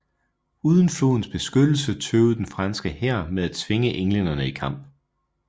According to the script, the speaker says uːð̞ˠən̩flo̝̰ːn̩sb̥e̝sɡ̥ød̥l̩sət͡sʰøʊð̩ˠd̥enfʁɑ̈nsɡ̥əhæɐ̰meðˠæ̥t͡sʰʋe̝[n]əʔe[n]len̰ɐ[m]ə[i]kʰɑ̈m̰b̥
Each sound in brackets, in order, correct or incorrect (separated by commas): incorrect, incorrect, incorrect, correct